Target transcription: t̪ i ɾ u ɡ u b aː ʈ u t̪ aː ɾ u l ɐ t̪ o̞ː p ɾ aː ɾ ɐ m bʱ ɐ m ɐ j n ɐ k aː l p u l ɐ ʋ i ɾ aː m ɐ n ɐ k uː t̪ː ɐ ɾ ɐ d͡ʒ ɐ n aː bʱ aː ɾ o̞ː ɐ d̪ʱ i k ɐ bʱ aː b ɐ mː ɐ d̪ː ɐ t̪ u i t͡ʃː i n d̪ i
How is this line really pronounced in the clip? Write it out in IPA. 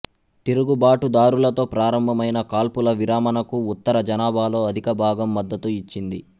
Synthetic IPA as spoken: t̪ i ɾ u ɡ u b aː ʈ u d̪ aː ɾ u l ɐ t̪ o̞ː p ɾ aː ɾ ɐ m bʱ ɐ m ɐ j n ɐ k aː l p u l ɐ ʋ i ɾ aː m ɐ n ɐ k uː t̪ː ɐ ɾ ɐ d͡ʒ ɐ n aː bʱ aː l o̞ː ɐ d̪ʱ i k ɐ bʱ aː ɡ ɐ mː ɐ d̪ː ɐ t̪ u i t͡ʃː i n d̪ i